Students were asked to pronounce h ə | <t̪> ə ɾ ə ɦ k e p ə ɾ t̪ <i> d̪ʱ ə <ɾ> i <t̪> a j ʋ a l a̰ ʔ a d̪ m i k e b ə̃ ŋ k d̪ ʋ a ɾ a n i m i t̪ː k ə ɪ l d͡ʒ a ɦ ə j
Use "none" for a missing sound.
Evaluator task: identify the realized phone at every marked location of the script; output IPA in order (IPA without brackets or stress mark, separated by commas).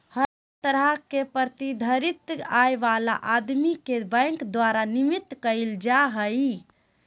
t̪, i, ɾ, t̪